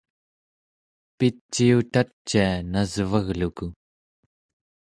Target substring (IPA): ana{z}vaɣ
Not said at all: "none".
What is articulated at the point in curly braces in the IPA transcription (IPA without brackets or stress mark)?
z